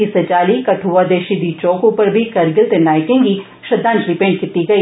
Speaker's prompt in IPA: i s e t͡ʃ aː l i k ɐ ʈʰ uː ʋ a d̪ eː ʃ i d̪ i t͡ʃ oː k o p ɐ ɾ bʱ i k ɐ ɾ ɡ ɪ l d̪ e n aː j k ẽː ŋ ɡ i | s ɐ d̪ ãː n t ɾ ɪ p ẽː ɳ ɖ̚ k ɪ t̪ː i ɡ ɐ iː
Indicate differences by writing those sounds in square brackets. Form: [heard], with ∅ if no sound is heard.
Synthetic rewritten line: i s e t͡ʃ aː l i k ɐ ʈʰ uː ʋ a d̪ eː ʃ i d̪ i t͡ʃ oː k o p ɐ ɾ bʱ i k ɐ ɾ ɡ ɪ l [t̪] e n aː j k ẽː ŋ ɡ i | [ʃ] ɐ d̪ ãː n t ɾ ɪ p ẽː ɳ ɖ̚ k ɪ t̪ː i ɡ ɐ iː